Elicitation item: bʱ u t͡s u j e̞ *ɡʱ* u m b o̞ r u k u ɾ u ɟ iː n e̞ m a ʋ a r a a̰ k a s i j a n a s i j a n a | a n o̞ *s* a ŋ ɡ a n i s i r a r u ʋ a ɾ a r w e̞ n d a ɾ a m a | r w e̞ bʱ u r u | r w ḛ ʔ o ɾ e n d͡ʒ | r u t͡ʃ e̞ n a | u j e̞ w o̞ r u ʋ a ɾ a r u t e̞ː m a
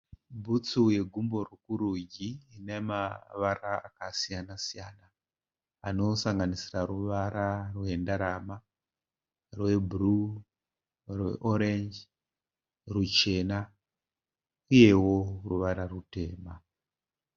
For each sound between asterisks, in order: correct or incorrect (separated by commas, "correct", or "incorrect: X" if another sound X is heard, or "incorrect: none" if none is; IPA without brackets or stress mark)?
correct, correct